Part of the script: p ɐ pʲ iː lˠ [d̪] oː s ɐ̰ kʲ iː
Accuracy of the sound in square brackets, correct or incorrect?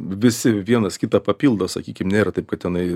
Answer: correct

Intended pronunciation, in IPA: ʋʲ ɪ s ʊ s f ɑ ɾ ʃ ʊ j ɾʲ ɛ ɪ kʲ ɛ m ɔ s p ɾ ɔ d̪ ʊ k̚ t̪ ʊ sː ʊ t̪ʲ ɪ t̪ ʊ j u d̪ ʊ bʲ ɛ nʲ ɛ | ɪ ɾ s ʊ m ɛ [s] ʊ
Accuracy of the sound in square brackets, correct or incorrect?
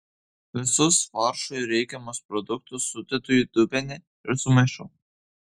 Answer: incorrect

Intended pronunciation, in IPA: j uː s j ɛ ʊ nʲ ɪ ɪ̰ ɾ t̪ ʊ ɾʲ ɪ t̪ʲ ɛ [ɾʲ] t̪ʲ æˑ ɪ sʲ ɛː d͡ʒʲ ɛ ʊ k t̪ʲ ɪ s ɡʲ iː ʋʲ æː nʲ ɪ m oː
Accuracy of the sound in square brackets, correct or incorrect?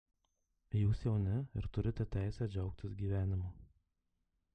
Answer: incorrect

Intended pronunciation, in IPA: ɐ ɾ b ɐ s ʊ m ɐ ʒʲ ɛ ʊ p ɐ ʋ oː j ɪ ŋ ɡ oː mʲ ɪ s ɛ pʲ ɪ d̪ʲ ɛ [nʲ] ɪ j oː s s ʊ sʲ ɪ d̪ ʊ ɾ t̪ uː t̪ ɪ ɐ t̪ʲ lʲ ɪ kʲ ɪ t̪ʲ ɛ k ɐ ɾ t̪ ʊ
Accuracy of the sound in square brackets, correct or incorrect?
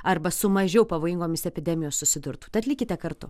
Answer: incorrect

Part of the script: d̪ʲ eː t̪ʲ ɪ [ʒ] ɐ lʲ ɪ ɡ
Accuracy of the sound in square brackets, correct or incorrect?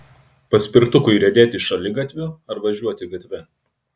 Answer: incorrect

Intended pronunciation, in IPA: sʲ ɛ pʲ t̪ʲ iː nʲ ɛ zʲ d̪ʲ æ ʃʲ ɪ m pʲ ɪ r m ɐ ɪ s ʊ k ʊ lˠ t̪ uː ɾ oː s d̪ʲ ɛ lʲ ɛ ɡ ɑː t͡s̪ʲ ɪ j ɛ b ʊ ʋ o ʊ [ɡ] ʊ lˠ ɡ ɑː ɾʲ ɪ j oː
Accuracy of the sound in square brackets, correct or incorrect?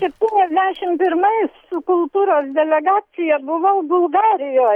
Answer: incorrect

